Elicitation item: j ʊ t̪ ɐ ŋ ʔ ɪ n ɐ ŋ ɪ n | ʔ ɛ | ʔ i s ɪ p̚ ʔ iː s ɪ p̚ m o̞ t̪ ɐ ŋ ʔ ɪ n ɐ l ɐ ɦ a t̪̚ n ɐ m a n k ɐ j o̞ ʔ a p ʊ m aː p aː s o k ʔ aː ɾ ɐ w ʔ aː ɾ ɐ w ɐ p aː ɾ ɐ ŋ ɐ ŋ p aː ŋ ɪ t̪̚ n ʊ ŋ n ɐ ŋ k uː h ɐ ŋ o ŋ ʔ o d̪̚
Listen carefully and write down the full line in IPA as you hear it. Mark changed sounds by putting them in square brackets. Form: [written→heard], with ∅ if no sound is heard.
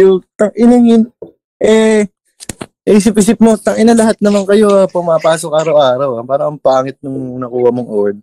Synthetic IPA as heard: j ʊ t̪ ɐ ŋ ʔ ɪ n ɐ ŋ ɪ n | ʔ ɛ | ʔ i s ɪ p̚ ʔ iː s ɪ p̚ m o̞ t̪ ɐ ŋ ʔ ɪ n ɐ l ɐ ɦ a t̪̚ n ɐ m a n k ɐ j o̞ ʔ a p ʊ m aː p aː s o k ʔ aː ɾ ɐ w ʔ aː ɾ ɐ w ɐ p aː ɾ ɐ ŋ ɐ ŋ p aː ŋ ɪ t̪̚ n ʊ ŋ n ɐ [ŋ→∅] k uː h ɐ [ŋ→m] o ŋ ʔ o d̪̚